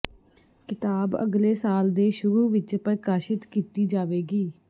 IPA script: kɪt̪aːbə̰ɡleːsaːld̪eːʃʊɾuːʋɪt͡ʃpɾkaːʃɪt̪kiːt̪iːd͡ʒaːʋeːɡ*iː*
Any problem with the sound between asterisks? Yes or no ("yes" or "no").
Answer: no